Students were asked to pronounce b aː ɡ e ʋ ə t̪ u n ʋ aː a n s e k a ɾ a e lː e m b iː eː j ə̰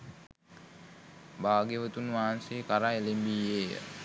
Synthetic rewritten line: b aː ɡ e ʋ ə t̪ u n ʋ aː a n s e k a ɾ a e l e m b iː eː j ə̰